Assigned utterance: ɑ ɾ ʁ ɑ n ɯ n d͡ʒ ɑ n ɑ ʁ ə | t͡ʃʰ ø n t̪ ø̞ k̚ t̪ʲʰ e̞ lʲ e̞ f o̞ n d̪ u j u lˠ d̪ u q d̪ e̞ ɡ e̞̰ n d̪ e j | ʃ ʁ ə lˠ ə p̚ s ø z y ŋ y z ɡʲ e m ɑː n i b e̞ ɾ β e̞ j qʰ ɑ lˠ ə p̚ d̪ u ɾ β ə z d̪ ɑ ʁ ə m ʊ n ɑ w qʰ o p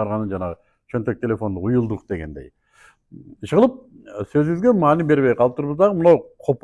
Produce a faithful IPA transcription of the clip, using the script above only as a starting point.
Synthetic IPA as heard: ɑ ɾ ʁ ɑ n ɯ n d͡ʒ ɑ n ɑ ʁ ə | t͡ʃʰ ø n t̪ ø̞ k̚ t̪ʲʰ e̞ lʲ e̞ f o̞ n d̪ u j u lˠ d̪ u q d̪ e̞ ɡ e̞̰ n d̪ e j | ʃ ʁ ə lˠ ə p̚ s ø z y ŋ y z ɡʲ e m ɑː n i b e̞ ɾ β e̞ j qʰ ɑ lˠ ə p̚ t̪ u ɾ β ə z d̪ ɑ ʁ ə m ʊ n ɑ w qʰ o p